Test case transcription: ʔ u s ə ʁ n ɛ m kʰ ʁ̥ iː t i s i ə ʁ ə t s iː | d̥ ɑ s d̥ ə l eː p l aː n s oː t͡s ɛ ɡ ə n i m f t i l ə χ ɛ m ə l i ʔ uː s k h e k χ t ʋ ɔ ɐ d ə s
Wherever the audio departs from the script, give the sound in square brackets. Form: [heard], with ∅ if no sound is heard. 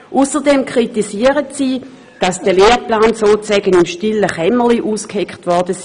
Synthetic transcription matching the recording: ʔ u s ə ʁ [d] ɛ m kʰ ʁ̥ [i] t i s i ə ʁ ə t s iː | d̥ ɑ s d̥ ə l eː p l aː n s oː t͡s ɛ ɡ ə n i m [ʃ] t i l ə χ ɛ m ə l i ʔ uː s k h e k χ t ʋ ɔ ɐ d ə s